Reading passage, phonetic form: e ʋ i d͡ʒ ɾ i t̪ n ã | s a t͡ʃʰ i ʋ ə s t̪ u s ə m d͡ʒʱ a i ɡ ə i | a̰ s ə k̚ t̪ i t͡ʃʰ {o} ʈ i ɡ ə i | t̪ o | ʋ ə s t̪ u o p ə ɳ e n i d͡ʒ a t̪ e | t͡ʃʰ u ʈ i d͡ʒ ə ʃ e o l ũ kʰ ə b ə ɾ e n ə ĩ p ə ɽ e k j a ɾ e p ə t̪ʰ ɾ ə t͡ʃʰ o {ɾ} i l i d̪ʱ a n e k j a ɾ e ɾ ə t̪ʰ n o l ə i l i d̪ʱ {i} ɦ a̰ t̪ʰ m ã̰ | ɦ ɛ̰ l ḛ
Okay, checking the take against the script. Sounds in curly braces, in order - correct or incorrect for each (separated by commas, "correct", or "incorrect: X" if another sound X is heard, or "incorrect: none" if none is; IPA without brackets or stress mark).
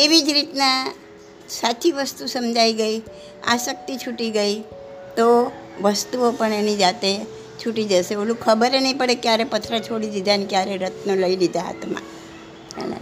incorrect: u, incorrect: ɽ, incorrect: a